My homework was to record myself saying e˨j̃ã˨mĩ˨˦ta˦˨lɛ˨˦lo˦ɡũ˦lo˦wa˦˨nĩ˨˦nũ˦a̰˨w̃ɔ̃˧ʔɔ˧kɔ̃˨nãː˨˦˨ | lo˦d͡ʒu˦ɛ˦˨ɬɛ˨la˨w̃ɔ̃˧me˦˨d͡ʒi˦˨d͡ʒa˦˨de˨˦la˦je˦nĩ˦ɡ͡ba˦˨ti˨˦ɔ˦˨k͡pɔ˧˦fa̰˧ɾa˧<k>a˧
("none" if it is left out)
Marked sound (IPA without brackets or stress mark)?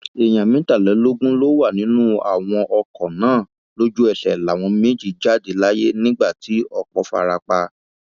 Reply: k͡p